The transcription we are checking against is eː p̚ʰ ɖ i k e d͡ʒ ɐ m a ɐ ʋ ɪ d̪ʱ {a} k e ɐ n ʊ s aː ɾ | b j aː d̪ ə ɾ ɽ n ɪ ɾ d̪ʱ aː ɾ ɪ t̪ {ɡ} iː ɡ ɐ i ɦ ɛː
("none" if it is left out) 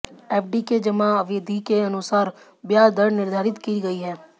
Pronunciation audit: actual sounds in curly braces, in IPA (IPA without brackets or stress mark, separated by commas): i, k